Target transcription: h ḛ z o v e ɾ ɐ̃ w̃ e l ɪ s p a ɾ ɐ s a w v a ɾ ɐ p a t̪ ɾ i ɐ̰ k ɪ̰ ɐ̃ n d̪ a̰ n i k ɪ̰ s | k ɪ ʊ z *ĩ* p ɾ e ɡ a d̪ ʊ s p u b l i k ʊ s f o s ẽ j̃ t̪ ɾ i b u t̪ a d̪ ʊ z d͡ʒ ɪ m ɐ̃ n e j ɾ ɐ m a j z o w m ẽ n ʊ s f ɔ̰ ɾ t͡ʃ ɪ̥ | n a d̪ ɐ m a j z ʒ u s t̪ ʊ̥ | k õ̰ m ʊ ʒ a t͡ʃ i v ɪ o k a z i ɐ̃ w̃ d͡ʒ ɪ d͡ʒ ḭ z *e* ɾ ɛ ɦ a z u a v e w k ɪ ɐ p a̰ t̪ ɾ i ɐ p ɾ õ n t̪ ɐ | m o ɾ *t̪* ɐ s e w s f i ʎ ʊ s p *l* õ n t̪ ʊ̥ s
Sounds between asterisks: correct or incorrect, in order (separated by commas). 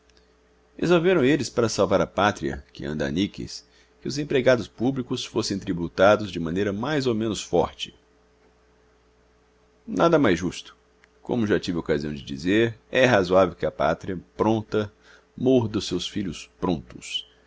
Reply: incorrect, correct, incorrect, incorrect